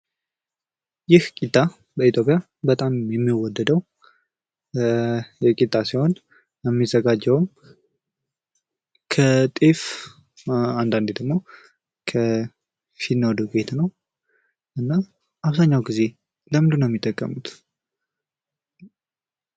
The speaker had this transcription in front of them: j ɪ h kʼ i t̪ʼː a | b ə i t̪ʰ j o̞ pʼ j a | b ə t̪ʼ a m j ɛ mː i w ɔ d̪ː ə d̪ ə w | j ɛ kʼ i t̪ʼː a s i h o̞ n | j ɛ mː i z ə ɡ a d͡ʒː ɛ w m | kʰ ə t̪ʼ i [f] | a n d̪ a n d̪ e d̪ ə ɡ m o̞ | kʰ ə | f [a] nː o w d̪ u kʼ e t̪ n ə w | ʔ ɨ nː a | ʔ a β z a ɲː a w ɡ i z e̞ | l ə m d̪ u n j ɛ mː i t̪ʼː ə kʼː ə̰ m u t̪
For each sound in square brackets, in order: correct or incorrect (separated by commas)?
correct, incorrect